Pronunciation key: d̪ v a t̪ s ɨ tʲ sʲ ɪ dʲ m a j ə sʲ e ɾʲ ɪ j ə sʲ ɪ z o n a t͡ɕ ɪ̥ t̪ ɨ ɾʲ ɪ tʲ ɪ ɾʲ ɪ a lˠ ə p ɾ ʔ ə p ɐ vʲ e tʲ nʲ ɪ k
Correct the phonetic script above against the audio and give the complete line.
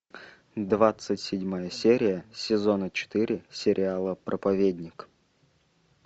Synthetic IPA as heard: d̪ v a t̪ s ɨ tʲ sʲ ɪ dʲ m a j ə sʲ e ɾʲ ɪ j ə sʲ ɪ z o n ə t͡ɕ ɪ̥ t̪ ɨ ɾʲ ɪ sʲ ɪ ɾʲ ɪ a lˠ ə p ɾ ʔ ə p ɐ vʲ e dʲ nʲ ɪ k